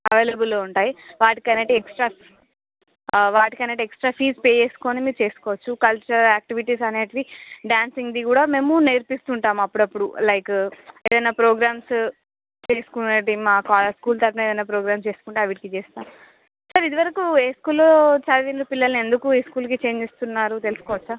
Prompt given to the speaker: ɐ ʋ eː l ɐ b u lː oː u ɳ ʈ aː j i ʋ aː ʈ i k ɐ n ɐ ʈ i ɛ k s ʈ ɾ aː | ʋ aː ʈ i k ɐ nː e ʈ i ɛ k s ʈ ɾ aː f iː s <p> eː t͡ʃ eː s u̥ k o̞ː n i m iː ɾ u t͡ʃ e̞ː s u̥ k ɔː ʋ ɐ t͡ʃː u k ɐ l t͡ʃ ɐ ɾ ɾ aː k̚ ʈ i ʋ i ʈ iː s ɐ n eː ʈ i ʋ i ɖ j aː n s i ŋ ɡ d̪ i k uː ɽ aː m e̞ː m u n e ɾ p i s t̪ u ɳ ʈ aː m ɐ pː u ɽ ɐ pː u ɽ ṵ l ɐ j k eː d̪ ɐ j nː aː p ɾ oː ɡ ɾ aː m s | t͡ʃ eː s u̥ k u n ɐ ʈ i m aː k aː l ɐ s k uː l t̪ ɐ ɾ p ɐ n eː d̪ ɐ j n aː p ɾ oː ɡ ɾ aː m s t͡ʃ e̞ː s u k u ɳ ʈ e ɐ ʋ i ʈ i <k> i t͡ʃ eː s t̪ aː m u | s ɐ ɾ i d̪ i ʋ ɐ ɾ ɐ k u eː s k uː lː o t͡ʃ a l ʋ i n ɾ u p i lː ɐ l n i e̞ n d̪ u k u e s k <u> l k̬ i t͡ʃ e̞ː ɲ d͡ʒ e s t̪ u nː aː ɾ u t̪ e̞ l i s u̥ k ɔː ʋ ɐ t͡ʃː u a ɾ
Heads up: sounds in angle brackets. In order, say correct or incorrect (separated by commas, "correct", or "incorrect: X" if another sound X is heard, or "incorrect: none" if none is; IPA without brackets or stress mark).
correct, correct, incorrect: uː